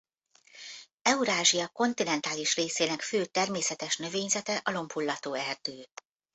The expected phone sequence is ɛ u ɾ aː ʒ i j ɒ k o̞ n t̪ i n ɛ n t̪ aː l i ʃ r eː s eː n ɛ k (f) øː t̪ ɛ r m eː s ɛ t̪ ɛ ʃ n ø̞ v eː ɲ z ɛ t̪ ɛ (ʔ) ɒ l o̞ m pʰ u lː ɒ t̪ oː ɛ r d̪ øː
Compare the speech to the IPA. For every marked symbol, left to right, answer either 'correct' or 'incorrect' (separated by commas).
correct, correct